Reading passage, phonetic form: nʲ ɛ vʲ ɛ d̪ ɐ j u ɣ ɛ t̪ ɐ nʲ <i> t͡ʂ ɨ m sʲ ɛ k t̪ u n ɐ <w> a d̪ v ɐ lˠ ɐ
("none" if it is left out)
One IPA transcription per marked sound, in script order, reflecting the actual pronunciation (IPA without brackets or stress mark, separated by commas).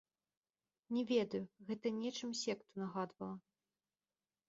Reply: ɛ, ɣ